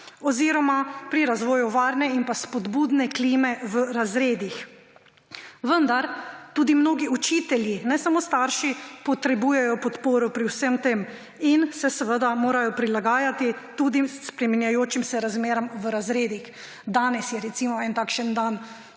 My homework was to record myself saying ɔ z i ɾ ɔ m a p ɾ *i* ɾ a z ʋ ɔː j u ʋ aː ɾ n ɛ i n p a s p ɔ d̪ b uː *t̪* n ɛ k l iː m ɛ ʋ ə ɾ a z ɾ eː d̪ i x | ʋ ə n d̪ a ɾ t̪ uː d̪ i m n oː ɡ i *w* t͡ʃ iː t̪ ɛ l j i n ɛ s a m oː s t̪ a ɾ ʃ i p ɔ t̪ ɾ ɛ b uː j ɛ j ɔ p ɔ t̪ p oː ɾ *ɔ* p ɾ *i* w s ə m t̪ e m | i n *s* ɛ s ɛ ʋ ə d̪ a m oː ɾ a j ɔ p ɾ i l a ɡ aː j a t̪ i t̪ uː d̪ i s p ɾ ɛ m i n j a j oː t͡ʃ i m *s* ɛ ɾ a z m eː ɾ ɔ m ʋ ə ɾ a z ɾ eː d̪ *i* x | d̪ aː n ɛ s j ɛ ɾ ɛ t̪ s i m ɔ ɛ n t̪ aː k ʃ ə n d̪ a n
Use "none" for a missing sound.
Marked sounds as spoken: i, d̪, u, ɔ, i, s, s, i

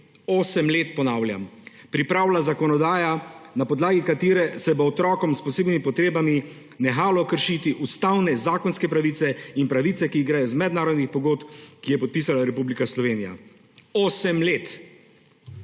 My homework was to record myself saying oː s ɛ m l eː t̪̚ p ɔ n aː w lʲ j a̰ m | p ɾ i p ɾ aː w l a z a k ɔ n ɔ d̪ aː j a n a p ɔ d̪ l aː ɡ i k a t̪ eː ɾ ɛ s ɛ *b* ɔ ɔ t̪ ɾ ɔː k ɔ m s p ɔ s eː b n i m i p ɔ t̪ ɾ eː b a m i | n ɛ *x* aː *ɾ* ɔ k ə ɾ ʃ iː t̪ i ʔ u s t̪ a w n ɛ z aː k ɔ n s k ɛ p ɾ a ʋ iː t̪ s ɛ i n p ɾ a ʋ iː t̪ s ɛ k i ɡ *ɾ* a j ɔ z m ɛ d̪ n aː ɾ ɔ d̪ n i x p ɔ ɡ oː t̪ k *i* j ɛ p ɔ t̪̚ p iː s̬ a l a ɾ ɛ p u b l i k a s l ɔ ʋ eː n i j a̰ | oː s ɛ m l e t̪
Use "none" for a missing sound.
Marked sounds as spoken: b, x, l, ɾ, i

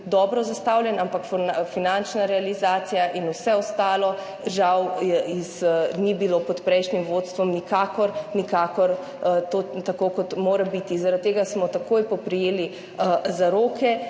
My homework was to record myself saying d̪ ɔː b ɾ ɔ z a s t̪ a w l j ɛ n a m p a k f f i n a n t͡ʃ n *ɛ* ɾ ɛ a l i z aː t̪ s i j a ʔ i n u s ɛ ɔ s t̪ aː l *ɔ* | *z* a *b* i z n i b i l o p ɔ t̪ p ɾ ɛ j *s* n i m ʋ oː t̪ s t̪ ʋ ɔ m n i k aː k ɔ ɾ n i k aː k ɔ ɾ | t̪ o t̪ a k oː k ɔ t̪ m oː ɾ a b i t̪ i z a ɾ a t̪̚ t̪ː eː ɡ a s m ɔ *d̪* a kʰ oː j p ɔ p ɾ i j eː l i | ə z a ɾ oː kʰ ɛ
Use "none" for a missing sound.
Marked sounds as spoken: a, ɔ, ʒ, w, ʃ, t̪

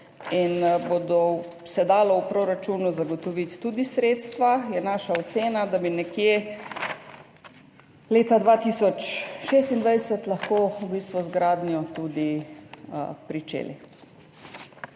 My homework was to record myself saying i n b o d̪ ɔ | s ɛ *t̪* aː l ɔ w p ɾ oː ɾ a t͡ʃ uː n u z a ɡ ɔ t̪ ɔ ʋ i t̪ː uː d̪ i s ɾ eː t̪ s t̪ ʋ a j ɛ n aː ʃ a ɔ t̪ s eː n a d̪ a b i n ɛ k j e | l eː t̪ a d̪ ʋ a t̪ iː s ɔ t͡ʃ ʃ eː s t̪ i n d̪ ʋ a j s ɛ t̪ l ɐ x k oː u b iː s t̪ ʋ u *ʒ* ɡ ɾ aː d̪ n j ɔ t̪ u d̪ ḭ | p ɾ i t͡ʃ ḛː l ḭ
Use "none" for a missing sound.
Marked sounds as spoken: d̪, z

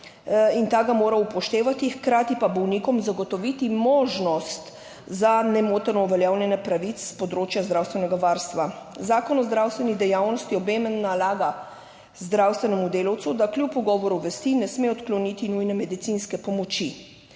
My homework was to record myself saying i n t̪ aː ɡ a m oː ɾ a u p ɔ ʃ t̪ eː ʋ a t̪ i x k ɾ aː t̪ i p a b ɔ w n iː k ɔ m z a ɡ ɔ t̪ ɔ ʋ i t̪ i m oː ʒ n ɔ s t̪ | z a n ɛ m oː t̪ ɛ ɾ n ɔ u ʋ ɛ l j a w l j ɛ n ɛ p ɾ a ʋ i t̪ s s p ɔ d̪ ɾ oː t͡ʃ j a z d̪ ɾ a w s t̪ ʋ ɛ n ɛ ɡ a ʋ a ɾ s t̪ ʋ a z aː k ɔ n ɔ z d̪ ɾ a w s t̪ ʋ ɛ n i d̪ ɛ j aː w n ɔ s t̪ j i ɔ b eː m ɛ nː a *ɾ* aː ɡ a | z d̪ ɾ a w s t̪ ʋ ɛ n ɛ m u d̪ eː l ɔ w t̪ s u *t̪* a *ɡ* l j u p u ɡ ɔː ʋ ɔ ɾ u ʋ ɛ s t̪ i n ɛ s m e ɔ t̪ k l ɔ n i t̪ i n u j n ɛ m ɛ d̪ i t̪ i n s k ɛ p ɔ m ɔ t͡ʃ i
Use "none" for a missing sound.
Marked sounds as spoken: l, d̪, k

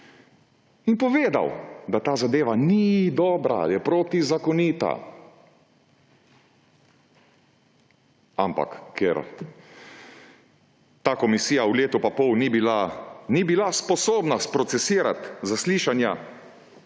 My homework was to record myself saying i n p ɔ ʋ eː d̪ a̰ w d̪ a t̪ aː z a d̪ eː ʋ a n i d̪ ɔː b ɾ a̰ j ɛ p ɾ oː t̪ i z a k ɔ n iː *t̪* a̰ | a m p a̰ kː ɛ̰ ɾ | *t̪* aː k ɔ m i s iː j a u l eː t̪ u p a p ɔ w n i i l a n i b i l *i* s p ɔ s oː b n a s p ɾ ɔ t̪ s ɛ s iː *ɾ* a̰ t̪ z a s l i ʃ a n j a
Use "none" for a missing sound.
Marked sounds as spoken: t̪, t̪, a, ɾ

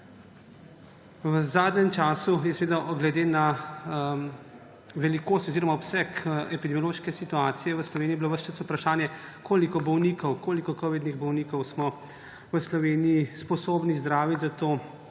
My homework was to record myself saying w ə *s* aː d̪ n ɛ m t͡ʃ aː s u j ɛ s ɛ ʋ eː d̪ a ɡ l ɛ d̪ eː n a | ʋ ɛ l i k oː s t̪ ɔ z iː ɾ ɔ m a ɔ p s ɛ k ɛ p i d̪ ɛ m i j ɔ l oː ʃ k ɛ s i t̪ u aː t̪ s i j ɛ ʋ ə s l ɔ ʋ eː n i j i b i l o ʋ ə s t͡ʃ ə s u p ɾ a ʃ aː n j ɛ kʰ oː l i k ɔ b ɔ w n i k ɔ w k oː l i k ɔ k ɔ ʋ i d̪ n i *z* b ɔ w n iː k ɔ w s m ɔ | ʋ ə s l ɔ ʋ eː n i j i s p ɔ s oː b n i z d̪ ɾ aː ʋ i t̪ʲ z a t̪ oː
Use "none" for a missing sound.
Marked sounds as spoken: z, ɣ

